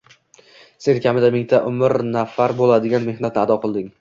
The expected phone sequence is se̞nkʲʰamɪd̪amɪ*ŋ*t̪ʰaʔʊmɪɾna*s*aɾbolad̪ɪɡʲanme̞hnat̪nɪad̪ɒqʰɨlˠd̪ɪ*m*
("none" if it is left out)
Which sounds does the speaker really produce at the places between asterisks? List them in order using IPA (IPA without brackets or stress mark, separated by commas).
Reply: ŋ, f, ŋ